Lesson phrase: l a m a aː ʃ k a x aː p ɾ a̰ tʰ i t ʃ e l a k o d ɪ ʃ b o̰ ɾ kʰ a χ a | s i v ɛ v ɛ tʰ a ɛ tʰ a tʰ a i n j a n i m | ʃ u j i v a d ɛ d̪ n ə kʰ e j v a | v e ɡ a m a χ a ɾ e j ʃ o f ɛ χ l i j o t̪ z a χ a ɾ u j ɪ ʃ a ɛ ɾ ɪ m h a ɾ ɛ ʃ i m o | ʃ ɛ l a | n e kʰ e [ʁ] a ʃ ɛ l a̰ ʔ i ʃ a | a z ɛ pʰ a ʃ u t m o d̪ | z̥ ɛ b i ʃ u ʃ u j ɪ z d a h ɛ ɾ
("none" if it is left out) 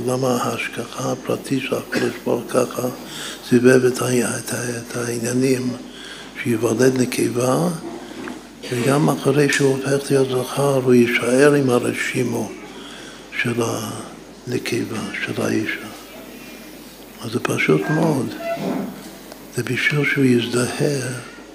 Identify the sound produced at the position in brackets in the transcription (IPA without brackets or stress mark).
v